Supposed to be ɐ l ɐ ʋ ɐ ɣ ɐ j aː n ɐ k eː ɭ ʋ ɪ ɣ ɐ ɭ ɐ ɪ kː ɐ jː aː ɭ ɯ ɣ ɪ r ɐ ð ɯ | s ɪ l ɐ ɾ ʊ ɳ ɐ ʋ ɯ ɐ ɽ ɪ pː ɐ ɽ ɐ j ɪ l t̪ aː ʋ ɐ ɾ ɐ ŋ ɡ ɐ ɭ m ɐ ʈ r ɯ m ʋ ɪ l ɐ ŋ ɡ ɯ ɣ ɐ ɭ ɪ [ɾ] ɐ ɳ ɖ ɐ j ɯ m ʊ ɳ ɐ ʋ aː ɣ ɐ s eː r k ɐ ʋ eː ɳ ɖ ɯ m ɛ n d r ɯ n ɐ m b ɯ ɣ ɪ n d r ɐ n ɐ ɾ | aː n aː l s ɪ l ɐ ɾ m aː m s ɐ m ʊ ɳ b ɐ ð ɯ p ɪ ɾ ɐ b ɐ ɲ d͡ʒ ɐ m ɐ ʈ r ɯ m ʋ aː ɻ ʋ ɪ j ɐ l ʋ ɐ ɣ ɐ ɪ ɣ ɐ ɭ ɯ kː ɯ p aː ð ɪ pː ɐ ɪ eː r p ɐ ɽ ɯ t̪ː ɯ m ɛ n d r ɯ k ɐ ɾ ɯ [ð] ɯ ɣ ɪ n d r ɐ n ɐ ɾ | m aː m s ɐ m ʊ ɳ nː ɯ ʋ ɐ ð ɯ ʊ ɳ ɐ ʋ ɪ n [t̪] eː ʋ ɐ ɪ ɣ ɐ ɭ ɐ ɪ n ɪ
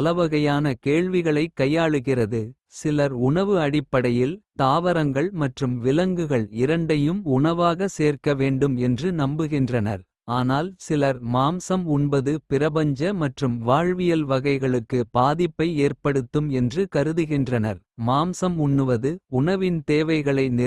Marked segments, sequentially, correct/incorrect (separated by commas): correct, correct, correct